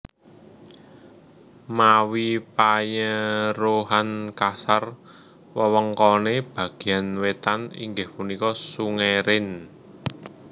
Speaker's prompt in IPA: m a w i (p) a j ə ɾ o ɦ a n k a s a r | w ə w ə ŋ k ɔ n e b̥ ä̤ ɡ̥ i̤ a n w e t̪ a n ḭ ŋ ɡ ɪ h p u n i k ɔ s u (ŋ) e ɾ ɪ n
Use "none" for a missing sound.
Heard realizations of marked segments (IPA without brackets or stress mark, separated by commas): p, ŋ